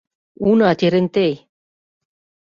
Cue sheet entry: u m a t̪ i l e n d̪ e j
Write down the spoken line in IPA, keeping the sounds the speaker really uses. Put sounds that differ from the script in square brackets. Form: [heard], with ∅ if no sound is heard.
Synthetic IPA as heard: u [n] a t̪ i [ɾ] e n [t̪] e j